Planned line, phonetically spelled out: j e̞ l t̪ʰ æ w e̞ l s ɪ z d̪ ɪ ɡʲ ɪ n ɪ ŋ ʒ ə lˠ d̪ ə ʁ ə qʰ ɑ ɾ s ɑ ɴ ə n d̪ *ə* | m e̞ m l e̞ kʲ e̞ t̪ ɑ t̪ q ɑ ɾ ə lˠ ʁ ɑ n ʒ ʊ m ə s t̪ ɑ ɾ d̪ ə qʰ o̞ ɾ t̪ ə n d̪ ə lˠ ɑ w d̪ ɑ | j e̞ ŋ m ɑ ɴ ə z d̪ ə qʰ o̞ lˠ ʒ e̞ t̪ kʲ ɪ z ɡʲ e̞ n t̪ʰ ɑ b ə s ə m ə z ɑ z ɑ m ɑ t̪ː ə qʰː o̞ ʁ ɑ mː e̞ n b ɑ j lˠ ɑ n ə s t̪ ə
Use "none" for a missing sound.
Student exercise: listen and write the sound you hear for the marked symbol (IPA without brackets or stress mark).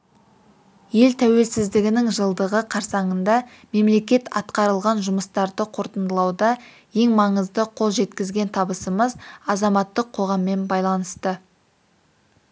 ɑ